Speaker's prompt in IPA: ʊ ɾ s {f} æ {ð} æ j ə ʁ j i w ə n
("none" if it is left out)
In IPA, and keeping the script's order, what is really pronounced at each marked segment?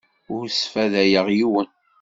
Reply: f, ð

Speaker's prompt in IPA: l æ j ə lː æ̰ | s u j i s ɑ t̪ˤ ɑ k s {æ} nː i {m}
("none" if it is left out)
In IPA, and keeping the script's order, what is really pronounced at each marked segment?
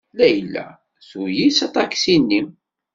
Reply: i, m

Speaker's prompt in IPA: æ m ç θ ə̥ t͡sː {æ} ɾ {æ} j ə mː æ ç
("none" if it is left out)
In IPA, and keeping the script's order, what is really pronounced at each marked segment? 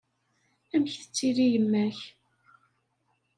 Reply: i, i

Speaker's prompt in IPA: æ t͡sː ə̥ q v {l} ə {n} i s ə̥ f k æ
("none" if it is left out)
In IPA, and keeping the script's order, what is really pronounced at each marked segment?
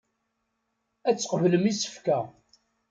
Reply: l, m

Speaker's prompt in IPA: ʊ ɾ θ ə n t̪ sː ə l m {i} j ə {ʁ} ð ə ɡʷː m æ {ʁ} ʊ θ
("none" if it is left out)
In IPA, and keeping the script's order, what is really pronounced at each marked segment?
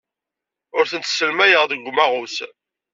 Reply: æ, ʁ, ʁ

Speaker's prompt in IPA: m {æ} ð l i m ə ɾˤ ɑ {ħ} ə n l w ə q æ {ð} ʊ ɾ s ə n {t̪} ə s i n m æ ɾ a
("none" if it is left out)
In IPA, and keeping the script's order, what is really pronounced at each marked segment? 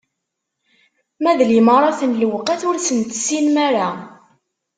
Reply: æ, θ, θ, t̪

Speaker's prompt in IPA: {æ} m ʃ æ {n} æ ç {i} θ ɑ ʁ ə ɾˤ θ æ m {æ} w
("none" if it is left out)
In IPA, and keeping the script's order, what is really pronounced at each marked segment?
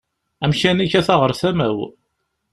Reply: æ, n, æ, æ

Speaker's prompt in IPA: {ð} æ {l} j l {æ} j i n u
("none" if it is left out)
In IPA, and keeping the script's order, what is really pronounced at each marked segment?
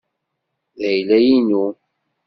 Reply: ð, none, æ

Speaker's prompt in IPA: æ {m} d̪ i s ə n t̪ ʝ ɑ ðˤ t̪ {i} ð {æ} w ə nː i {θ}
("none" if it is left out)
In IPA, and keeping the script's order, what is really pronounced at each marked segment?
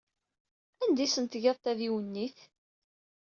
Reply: n, æ, i, θ

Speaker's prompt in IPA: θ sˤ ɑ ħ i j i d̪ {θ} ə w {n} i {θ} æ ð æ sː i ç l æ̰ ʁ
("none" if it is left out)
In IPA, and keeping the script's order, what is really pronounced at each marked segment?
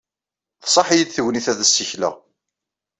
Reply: θ, n, θ

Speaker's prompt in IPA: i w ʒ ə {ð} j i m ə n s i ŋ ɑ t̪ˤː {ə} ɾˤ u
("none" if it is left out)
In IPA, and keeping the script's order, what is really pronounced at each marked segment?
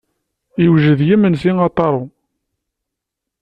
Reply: ð, ɑ

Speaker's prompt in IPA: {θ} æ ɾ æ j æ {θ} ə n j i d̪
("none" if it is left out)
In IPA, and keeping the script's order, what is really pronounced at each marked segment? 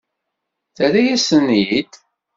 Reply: θ, s

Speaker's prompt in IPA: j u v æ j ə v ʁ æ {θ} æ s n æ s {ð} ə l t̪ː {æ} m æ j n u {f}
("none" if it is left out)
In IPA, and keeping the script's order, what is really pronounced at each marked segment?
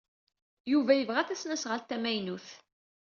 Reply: θ, ʁ, æ, θ

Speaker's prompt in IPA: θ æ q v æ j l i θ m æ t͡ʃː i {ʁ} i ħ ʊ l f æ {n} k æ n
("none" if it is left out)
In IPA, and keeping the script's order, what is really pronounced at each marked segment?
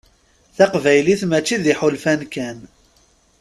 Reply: ð, n

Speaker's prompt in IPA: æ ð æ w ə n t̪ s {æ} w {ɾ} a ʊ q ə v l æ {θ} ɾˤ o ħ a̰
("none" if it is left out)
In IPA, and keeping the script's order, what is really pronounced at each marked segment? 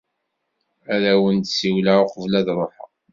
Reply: i, l, ð

